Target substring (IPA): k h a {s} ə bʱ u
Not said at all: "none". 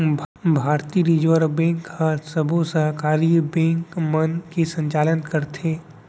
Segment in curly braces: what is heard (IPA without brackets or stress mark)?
s